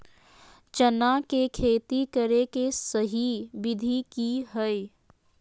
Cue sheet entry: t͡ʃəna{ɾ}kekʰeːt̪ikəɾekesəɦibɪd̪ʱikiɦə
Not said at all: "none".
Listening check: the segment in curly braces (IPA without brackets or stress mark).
none